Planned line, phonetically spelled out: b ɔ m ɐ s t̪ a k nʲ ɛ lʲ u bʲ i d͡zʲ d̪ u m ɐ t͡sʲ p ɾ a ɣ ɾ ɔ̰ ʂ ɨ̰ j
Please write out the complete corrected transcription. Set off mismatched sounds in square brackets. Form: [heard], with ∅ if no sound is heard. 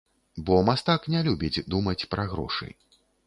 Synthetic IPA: b ɔ m [a] s t̪ a k nʲ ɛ lʲ u bʲ i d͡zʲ d̪ u m ɐ t͡sʲ p ɾ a ɣ ɾ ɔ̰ ʂ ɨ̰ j